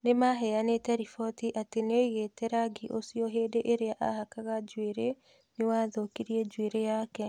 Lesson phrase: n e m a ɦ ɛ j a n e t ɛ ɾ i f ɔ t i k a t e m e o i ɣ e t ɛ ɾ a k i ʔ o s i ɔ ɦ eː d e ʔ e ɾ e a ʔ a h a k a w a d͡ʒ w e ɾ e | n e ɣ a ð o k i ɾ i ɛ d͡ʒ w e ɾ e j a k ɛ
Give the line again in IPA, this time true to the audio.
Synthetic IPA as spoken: n e m a ɦ ɛ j a n e t ɛ ɾ i f ɔ t i ʔ a t e n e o i ɣ e t ɛ ɾ a ɡ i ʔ o s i ɔ ɦ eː d e ʔ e ɾ e a ʔ a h a k a ɣ a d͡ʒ w e ɾ e | n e w a ð o k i ɾ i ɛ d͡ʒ w e ɾ e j a k ɛ